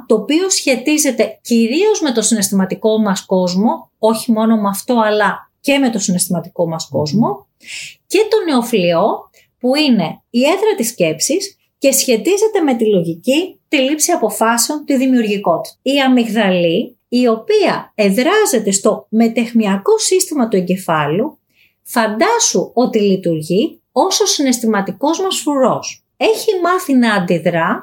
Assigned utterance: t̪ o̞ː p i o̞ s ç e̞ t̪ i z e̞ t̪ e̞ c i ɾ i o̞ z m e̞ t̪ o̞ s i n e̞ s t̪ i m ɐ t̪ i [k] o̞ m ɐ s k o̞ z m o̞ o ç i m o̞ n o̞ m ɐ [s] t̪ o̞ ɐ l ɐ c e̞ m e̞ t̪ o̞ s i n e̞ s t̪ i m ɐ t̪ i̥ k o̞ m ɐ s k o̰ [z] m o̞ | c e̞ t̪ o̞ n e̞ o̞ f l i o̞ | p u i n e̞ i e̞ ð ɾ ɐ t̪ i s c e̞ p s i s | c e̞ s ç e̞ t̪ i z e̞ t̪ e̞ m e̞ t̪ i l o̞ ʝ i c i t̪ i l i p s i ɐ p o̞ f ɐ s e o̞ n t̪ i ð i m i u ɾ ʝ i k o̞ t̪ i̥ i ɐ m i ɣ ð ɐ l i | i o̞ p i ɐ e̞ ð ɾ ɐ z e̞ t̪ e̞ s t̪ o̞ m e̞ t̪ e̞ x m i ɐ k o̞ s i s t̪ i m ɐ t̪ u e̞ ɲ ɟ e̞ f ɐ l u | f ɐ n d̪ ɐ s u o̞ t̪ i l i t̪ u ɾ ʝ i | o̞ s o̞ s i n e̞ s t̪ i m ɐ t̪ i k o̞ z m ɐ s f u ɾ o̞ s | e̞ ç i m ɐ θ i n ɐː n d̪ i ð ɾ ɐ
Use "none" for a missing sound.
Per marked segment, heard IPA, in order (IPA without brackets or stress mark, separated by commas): k, f, z